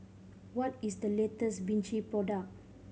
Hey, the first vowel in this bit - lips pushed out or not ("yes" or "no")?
yes